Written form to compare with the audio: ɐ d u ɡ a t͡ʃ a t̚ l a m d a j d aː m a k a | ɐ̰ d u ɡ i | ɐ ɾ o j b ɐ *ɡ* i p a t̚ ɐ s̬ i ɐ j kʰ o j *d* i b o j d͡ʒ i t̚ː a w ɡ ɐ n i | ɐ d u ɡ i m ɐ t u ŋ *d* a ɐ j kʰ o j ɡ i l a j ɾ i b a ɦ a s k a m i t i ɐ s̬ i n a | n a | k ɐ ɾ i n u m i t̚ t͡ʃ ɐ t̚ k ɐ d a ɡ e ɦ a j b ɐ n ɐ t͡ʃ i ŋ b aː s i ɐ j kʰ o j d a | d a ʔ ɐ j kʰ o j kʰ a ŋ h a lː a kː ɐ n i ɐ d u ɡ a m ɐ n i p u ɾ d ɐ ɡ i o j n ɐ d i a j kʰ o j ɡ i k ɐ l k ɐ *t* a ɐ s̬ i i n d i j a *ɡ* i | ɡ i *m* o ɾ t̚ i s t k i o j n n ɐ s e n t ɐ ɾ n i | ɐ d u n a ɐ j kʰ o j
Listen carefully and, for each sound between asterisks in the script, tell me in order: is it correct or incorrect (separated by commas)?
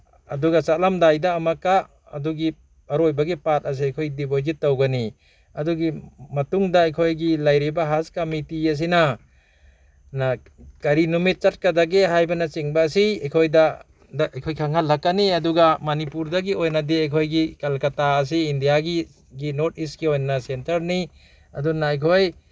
correct, correct, correct, correct, correct, incorrect